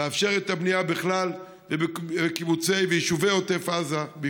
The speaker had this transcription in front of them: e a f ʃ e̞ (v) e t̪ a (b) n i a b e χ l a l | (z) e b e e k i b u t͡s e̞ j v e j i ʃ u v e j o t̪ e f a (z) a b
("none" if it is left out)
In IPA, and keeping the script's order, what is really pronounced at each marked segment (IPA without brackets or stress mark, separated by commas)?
ʁ, b, v, z